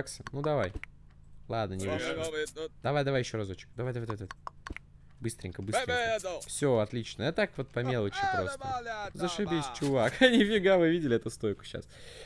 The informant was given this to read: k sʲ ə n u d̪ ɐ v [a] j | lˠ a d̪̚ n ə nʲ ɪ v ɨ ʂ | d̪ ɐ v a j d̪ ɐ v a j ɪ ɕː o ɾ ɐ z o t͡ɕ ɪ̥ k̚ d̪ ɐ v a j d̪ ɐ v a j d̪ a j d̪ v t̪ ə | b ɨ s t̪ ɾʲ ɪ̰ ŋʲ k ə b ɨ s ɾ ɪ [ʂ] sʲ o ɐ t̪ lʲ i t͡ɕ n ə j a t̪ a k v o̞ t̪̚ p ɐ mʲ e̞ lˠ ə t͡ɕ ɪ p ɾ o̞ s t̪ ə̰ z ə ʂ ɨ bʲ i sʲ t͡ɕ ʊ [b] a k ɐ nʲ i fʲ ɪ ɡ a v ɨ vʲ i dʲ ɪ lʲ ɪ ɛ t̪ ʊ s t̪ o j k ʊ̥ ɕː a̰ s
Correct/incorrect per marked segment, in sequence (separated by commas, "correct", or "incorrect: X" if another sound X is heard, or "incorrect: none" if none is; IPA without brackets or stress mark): correct, incorrect: f, incorrect: v